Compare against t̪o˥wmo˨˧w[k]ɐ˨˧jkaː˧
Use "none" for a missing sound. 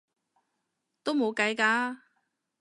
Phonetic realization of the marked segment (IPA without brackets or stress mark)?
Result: k